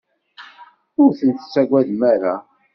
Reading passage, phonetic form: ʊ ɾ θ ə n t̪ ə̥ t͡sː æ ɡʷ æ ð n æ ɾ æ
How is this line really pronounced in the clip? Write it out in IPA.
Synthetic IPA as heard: ʊ ɾ θ ə n t̪ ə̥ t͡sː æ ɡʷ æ ð m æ ɾ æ